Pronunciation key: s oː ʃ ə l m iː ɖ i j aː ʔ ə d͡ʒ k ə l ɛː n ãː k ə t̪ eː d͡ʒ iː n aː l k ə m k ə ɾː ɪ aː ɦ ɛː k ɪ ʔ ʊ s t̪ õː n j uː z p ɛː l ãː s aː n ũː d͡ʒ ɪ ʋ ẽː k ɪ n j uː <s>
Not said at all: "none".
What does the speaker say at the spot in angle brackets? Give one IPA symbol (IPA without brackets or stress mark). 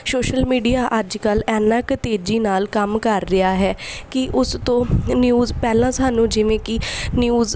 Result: z